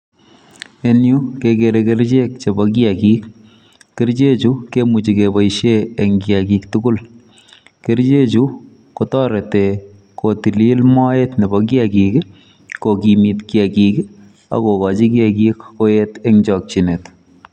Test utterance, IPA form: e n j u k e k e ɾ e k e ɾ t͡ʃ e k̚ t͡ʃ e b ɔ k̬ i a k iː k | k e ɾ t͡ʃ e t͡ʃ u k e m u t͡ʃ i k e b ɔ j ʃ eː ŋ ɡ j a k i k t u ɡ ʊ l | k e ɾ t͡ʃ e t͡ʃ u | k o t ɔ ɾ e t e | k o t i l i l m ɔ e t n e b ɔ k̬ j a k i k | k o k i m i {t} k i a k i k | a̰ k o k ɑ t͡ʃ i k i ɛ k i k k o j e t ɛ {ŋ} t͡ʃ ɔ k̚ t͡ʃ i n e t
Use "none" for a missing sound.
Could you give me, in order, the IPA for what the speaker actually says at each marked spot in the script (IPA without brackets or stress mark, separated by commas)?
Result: t, ŋ